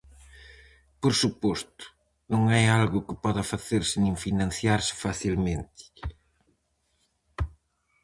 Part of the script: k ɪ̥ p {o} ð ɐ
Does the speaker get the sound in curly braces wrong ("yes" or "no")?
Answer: yes